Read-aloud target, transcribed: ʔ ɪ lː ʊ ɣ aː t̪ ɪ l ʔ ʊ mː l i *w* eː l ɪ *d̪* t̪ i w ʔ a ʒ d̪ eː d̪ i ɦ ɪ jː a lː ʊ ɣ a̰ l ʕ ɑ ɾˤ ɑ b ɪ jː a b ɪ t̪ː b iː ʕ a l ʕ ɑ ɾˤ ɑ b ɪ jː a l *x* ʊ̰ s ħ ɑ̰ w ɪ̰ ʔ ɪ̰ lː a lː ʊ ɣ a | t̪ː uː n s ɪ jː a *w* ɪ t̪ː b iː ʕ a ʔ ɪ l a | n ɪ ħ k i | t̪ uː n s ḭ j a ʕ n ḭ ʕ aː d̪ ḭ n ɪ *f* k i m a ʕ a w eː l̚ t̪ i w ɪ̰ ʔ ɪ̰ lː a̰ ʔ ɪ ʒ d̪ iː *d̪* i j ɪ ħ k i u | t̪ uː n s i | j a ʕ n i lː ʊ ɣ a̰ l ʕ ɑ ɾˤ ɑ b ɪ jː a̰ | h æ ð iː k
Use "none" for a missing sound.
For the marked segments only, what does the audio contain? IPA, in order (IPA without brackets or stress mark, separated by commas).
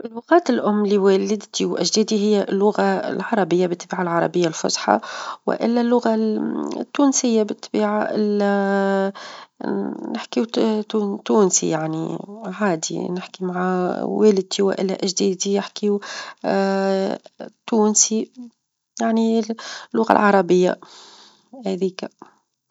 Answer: w, d̪, f, b, ħ, d̪